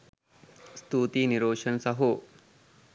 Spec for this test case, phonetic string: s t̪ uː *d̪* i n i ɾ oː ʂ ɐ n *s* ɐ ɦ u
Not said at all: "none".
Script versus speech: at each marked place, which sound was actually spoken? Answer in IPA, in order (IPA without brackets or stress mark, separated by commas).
t̪, s